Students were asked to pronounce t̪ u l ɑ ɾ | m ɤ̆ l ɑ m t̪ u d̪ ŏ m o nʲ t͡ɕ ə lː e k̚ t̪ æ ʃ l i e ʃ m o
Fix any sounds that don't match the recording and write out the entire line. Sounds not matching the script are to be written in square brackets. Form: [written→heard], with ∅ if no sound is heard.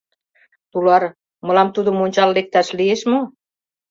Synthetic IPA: t̪ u l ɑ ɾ | m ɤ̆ l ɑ m t̪ u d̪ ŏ m o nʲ t͡ɕ [ə→ɑ] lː e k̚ t̪ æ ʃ l i e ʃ m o